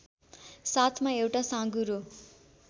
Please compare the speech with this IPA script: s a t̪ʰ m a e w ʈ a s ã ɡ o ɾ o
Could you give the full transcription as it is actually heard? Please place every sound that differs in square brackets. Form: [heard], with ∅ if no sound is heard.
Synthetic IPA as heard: s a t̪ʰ m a e w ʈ a s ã ɡ [u] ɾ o

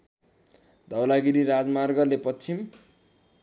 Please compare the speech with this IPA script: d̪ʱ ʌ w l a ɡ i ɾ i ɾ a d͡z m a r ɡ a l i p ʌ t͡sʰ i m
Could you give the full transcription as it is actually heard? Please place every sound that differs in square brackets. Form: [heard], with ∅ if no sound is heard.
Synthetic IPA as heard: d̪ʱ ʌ w l a ɡ i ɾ i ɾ a d͡z m a r ɡ [ʌ] l [e] p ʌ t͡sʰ i m

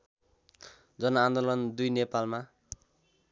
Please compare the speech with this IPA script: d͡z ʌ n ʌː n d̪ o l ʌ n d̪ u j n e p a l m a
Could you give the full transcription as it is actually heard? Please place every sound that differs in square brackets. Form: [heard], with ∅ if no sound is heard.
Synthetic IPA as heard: d͡z ʌ n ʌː n d̪ o l ʌ n d̪ u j n e p a l m a

